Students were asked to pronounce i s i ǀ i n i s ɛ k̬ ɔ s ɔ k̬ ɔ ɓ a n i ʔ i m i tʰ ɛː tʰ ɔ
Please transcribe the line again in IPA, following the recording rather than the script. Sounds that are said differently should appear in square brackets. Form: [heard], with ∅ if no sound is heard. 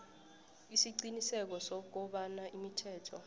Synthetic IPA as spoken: i s i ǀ i n i s ɛ k̬ ɔ s ɔ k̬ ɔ ɓ a n [a] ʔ i m i tʰ ɛː tʰ ɔ